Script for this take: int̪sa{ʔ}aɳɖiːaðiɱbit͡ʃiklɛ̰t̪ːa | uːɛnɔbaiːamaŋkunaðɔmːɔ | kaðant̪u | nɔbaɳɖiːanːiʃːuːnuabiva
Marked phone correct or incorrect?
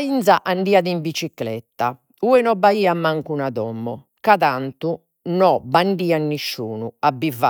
correct